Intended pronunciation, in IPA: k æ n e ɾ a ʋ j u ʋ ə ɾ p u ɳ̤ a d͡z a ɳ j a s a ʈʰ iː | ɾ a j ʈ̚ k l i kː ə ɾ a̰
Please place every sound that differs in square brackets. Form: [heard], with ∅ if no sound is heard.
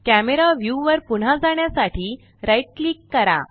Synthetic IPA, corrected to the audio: k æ [m] e ɾ a ʋ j u ʋ ə ɾ p u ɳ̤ a d͡z a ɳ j a s a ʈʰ iː | ɾ a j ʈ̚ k l i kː ə ɾ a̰